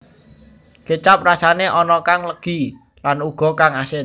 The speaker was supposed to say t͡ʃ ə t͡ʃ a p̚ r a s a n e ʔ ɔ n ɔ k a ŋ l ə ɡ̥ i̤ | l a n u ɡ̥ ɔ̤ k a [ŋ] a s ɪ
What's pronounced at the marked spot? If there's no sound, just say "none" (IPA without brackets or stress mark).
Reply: ŋ